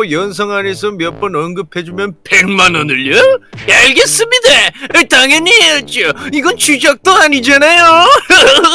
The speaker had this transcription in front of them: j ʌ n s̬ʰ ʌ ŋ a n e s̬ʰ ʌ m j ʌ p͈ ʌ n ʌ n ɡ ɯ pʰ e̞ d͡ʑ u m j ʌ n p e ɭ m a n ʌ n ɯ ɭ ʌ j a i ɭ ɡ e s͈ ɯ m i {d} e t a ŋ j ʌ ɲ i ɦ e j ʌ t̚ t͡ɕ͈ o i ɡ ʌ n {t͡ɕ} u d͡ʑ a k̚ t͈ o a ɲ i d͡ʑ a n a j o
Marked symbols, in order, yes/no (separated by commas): yes, yes